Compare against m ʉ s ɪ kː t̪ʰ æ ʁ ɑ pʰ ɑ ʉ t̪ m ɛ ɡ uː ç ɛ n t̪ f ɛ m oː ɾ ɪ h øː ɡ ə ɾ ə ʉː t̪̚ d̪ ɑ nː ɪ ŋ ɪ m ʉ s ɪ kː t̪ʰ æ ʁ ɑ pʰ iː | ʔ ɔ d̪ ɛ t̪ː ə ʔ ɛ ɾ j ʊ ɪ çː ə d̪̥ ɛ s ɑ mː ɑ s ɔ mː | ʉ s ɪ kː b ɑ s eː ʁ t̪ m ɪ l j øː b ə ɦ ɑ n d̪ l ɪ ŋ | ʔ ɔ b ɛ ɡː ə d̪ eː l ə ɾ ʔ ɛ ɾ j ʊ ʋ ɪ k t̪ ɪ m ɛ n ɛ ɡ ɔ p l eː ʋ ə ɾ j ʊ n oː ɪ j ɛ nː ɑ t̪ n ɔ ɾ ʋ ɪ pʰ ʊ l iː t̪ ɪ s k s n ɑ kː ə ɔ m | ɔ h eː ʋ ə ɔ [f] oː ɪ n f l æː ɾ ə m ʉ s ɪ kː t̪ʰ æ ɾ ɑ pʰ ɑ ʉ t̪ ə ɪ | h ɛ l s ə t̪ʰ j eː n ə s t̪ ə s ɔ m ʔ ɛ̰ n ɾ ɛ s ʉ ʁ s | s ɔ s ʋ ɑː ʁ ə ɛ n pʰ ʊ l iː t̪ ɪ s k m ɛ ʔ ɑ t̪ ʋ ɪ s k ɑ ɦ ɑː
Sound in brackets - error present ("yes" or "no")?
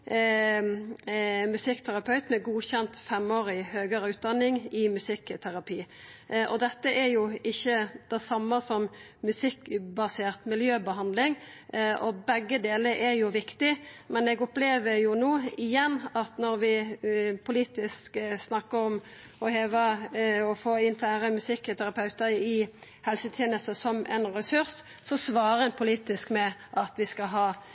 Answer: no